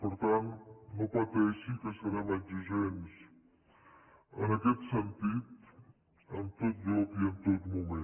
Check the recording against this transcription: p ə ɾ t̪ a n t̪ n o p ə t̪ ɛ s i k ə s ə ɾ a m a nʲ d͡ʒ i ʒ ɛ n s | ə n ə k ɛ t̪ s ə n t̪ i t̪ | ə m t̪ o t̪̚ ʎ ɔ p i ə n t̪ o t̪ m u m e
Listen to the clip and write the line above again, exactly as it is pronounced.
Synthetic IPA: p ə ɾ t̪ a n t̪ n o p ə t̪ ɛ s i k ə s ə ɾ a m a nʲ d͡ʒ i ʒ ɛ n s | ə n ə k ɛ t̪ s ə n t̪ i t̪ | ə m t̪ o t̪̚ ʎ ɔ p i ə n t̪ o t̪ m u m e